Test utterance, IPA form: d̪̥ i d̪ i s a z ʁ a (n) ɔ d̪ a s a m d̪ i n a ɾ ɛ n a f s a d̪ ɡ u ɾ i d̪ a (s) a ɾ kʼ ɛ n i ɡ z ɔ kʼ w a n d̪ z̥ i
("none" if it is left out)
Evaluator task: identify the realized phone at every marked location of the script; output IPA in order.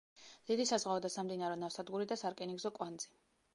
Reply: none, s

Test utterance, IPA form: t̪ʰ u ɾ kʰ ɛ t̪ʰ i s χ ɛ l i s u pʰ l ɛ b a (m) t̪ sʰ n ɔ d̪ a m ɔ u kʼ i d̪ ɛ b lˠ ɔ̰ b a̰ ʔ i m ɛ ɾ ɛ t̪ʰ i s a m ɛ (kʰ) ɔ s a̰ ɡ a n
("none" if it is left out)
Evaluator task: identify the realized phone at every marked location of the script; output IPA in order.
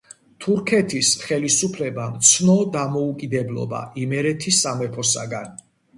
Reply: m, pʰ

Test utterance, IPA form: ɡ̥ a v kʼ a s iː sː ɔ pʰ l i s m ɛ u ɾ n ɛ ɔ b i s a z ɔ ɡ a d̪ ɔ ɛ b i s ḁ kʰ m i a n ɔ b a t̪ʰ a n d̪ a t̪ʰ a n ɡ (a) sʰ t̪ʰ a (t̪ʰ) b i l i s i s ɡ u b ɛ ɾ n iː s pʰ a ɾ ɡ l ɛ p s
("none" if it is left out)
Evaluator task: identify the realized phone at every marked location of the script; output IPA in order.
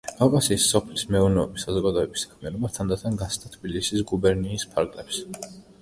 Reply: a, t̪ʰ

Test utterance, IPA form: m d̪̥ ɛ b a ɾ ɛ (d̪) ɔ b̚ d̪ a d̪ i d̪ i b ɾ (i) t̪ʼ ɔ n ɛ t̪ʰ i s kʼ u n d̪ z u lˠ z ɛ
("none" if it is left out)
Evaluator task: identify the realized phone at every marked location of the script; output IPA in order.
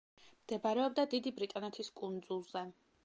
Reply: none, i

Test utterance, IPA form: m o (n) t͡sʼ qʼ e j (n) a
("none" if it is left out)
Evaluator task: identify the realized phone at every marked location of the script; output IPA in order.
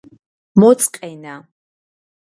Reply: none, n

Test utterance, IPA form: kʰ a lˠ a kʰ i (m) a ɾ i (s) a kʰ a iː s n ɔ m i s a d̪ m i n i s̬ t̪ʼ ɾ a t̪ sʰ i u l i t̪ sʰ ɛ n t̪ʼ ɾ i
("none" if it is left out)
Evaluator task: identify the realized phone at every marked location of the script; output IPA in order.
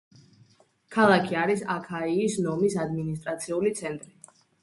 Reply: none, s

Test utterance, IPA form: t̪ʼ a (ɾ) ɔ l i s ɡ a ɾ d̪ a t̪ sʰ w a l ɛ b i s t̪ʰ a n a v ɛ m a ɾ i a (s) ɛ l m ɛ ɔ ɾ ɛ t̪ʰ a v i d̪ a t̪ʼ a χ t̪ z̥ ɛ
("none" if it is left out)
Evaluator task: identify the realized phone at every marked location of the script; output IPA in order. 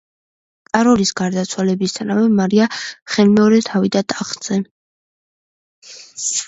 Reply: ɾ, χ

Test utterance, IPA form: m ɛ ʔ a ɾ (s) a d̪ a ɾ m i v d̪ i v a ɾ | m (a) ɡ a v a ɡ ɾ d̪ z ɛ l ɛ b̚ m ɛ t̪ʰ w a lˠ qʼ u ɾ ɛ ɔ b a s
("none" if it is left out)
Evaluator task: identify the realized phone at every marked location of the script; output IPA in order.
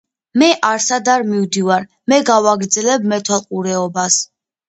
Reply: s, ɛ

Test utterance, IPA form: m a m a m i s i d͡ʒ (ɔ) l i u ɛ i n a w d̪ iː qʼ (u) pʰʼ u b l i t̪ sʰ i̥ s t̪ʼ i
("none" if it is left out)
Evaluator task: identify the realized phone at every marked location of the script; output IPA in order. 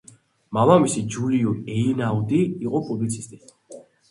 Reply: u, ɔ

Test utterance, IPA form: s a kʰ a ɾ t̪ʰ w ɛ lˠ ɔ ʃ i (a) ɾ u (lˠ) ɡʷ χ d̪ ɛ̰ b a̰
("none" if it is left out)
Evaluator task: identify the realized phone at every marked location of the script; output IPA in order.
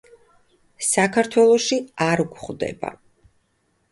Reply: a, none

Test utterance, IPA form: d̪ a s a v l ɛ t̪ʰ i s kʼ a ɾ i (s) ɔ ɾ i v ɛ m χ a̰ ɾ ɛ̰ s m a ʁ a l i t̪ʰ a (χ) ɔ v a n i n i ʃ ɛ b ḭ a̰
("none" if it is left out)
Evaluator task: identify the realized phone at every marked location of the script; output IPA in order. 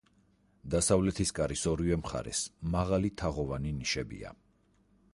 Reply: s, ʁ

